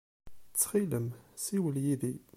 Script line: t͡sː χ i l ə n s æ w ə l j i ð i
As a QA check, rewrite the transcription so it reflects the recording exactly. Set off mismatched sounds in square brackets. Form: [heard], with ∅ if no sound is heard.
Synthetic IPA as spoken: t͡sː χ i l ə [m] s [i] w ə l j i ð i